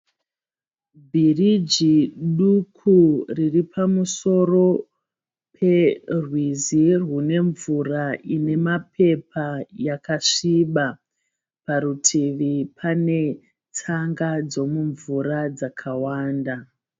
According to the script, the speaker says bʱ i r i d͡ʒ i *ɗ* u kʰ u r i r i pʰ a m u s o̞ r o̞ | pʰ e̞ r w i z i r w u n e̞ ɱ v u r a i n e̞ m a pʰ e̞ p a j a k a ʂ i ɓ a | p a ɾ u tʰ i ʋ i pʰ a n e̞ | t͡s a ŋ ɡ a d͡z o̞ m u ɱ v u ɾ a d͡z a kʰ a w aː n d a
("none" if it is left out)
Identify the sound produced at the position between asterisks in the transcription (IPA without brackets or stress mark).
ɗ